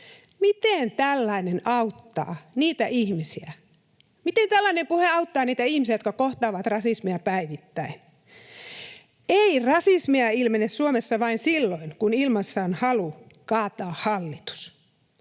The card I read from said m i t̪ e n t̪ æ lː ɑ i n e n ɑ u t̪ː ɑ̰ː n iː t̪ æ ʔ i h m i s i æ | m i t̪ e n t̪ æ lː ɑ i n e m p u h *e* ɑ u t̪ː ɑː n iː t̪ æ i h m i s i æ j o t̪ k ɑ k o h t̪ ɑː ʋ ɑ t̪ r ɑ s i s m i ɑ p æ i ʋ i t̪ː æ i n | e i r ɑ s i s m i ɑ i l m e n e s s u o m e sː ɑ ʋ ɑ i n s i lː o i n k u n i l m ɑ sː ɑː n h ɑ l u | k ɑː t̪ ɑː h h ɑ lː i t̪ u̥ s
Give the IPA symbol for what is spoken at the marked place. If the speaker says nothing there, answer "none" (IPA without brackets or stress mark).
e